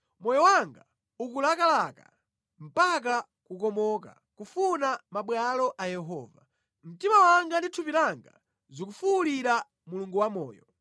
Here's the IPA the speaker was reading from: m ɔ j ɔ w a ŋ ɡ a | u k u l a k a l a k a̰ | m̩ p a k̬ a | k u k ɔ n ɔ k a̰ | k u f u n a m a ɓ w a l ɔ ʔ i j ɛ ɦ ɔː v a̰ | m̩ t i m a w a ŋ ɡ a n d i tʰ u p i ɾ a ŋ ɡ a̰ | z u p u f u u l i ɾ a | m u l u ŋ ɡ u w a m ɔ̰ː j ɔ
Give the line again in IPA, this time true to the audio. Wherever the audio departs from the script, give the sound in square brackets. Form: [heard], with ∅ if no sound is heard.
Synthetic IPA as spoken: m ɔ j ɔ w a ŋ ɡ a | u k u l a k a l a k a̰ | m̩ p a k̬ a | k u k ɔ [m] ɔ k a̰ | k u f u n a m a ɓ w a l ɔ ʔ [a] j ɛ ɦ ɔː v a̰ | m̩ t i m a w a ŋ ɡ a n d i tʰ u p i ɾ a ŋ ɡ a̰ | z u [k] u f u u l i ɾ a | m u l u ŋ ɡ u w a m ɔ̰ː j ɔ